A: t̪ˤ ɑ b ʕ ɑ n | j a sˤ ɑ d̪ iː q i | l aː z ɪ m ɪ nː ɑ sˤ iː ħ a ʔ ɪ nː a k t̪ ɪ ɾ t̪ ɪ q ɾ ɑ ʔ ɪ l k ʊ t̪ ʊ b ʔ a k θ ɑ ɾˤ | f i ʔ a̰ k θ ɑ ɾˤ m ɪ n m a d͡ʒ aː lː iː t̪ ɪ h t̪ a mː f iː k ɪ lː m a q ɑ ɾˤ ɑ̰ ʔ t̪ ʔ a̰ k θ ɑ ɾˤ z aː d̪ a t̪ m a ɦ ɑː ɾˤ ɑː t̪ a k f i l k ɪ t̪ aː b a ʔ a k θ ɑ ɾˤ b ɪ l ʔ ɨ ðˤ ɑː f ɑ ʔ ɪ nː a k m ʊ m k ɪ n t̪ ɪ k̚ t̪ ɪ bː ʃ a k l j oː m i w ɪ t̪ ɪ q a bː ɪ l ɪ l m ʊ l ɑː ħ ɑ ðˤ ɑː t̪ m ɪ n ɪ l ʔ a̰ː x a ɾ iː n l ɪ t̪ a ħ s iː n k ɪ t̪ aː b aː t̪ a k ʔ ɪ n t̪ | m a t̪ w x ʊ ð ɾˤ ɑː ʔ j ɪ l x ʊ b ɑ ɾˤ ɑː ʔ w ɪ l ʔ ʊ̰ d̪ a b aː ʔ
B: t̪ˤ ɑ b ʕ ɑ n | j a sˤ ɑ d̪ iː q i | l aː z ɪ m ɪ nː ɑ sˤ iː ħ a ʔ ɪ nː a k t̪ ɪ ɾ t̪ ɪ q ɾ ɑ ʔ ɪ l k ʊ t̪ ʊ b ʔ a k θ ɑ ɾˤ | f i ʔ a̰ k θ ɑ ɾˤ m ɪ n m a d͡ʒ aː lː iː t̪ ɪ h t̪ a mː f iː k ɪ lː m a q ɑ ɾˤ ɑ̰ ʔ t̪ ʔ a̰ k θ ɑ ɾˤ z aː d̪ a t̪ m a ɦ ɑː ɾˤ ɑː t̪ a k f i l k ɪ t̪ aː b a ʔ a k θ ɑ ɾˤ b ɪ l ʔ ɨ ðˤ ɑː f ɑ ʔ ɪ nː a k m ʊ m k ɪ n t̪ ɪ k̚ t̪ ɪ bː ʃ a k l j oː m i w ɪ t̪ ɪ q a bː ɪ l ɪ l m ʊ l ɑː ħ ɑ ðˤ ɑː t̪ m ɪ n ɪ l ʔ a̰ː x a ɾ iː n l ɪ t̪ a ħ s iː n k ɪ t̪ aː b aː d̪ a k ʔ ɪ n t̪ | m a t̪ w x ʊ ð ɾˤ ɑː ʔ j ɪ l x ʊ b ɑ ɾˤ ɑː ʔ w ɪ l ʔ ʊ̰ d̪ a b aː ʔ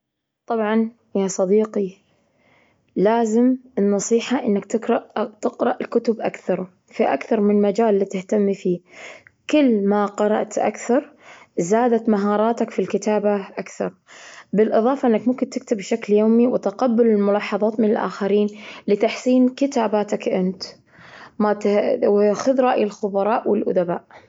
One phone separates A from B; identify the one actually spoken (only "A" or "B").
A